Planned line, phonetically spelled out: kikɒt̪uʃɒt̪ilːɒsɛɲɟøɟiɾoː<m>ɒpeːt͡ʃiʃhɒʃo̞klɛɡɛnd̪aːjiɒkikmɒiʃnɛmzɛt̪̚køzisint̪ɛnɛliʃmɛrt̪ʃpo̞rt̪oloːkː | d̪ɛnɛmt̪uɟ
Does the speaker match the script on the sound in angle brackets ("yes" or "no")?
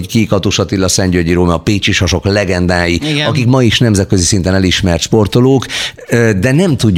yes